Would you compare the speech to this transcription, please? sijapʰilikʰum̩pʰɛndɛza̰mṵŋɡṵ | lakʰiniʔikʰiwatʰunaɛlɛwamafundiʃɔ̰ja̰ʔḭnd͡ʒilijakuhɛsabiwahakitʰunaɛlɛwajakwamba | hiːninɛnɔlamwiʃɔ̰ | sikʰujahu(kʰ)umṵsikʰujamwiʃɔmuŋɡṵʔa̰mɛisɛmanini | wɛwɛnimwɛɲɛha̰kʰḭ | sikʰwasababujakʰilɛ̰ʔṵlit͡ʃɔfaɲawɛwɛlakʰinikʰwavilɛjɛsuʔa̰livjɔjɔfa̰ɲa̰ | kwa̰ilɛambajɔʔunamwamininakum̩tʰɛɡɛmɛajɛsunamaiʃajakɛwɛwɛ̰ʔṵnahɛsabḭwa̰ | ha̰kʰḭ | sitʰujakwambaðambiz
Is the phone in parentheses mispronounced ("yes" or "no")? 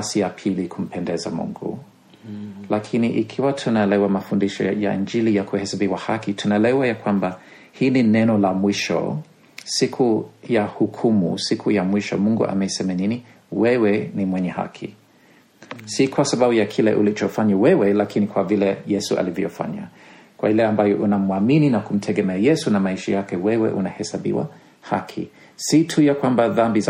no